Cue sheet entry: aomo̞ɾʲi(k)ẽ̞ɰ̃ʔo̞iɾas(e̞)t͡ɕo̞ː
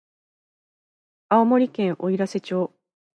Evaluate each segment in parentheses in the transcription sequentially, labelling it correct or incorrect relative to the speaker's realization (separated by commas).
correct, correct